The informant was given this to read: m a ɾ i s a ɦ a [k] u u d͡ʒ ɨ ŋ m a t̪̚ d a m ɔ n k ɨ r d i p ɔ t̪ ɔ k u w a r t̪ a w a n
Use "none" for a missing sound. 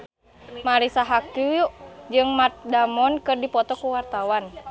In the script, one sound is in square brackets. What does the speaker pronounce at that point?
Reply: k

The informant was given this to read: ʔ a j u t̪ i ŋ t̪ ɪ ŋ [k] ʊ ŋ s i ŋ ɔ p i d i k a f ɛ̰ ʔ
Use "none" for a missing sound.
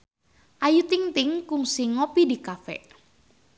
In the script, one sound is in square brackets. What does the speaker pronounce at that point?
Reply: k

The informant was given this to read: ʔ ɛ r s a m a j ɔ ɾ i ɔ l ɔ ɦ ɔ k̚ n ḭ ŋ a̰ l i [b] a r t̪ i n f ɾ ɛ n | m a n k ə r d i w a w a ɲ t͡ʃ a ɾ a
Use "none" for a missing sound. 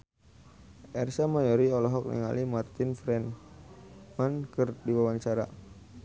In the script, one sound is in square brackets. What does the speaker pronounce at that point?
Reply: m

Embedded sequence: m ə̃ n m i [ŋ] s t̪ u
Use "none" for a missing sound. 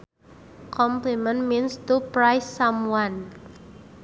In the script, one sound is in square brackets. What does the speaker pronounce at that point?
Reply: n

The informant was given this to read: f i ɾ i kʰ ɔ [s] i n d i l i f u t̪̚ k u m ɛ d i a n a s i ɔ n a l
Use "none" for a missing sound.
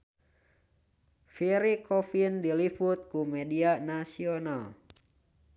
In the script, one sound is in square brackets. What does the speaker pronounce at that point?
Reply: f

